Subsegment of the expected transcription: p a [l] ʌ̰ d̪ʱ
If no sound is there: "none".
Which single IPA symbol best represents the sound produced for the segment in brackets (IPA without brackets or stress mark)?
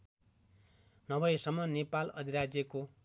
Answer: l